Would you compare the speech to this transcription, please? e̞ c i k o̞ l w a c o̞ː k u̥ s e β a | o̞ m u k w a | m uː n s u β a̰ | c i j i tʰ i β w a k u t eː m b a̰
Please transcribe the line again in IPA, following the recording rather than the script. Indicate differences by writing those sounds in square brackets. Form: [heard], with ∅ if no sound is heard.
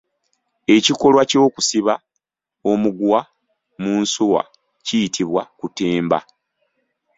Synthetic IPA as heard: e̞ c i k o̞ l w a c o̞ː k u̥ s [i] β a | o̞ m u [ɡ] w a | m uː n s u [w] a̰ | c i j i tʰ i β w a k u t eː m b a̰